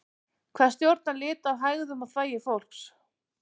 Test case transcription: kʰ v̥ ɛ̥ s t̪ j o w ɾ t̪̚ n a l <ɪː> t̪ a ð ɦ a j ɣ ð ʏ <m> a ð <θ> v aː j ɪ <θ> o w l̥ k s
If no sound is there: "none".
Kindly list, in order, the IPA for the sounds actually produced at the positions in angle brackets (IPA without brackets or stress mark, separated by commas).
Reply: ɪː, m, θ, f